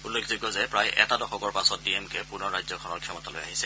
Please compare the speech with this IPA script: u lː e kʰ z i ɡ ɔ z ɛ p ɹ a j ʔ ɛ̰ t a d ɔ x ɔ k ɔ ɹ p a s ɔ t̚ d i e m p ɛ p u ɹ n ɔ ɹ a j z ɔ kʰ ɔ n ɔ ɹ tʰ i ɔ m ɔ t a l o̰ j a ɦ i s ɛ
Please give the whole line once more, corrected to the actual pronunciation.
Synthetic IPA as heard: u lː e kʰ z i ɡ ɔ z ɛ p ɹ a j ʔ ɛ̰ t a d ɔ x ɔ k ɔ ɹ p a s ɔ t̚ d i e m k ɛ p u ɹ n ɔ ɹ a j z ɔ kʰ ɔ n ɔ ɹ kʰ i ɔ m ɔ t a l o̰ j a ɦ i s ɛ

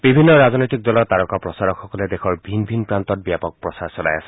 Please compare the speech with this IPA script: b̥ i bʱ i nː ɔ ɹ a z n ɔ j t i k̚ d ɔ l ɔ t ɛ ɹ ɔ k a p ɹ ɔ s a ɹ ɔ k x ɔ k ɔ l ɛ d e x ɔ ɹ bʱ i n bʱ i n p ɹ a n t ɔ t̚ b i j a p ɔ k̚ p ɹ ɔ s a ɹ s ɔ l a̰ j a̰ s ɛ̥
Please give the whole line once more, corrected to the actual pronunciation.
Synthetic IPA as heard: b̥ i bʱ i nː ɔ ɹ a z n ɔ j t i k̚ d ɔ l ɔ t a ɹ ɔ k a p ɹ ɔ s a ɹ ɔ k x ɔ k ɔ l ɛ d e x ɔ ɹ bʱ i n bʱ i n p ɹ a n t ɔ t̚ b i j a p ɔ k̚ p ɹ ɔ s a ɹ s ɔ l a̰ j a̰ s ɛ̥

